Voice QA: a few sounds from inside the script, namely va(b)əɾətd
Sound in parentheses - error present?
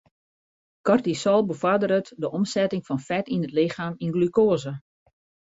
yes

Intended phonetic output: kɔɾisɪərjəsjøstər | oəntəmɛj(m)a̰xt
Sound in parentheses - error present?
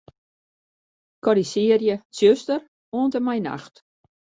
yes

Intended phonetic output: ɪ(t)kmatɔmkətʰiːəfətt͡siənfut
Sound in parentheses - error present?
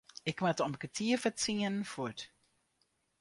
yes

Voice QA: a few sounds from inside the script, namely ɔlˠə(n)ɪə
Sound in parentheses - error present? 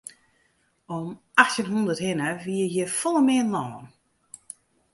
yes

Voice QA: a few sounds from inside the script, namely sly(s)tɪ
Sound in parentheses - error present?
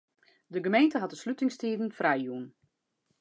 yes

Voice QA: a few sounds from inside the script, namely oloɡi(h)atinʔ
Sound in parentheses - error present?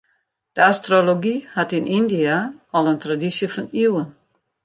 no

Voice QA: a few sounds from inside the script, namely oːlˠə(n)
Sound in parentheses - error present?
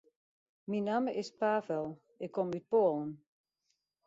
no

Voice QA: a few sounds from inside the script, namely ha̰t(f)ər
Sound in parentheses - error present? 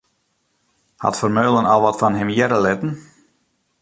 no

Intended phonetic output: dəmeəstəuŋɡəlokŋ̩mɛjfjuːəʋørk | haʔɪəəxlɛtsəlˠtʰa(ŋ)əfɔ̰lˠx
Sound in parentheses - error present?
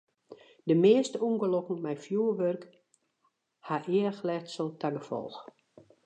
yes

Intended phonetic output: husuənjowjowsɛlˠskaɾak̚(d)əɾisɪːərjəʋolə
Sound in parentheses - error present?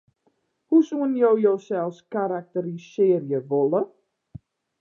yes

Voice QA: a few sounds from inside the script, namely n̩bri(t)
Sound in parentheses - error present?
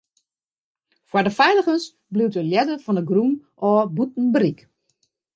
yes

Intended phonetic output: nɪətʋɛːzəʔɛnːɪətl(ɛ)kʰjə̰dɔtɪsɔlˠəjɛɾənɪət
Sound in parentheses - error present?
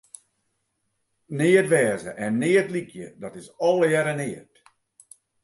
yes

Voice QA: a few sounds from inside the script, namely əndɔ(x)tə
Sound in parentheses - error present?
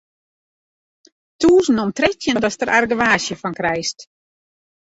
yes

